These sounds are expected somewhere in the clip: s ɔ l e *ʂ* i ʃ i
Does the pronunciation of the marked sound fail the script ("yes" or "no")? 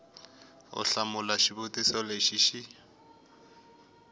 yes